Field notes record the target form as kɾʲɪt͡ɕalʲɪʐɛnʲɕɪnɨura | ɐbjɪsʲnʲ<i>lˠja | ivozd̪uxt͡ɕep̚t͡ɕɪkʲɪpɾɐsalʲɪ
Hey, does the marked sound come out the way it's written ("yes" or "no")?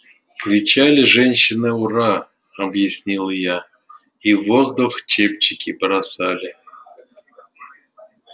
yes